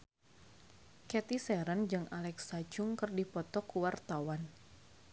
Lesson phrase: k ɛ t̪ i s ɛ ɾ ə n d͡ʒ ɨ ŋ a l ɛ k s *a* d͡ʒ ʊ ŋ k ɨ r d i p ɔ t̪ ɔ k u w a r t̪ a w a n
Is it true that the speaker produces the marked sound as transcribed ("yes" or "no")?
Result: yes